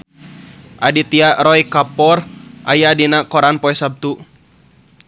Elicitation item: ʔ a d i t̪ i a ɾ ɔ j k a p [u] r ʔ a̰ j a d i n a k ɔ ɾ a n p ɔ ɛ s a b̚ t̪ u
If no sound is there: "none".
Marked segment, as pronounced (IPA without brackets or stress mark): ɔ